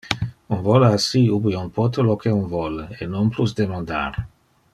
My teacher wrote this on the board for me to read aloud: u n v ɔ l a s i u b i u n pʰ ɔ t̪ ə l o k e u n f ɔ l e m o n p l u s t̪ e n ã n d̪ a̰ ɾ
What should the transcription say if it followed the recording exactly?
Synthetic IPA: u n v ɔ l a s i u b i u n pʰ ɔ t̪ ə l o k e u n v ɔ l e n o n p l u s d̪ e m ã n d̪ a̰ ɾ

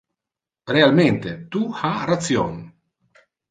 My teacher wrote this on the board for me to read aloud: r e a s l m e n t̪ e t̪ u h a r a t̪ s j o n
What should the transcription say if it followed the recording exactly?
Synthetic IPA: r e a l m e n t̪ e t̪ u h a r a t̪ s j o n

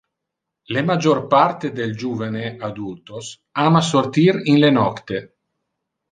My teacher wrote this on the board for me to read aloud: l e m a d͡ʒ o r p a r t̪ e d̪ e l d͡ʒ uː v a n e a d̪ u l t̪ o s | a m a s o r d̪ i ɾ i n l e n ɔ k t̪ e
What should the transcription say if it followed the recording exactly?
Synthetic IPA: l e m a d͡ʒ o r p a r t̪ e d̪ e l d͡ʒ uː v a n e a d̪ u l t̪ o s | a m a s o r t̪ i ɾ i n l e n ɔ k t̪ e

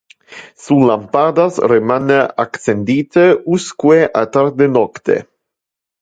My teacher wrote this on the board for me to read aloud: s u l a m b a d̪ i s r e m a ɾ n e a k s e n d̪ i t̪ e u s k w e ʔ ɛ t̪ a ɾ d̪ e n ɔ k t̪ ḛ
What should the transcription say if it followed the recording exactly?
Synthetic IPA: s u l a m p a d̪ a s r e m a n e a k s e n d̪ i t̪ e u s k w e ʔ a t̪ a ɾ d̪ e n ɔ k t̪ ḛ

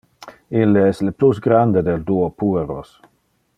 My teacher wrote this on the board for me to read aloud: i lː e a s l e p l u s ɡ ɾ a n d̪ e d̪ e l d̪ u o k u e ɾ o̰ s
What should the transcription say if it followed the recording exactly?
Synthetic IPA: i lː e ɛ s l e p l u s ɡ ɾ a n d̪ e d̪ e l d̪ u o p u e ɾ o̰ s

